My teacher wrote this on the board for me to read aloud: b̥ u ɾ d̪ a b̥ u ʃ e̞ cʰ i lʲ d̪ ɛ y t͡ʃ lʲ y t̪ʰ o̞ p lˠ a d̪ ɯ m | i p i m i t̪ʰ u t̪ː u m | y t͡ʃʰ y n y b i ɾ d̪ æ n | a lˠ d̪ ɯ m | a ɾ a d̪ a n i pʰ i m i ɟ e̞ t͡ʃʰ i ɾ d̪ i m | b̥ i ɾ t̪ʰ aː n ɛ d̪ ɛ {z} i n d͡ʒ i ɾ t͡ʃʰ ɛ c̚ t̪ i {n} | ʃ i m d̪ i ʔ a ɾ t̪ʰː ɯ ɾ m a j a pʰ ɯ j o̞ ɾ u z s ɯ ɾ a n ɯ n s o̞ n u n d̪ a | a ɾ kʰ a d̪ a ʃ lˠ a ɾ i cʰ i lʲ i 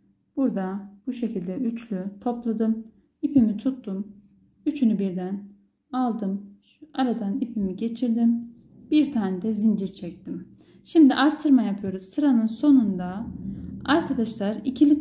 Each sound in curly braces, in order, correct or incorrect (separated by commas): correct, incorrect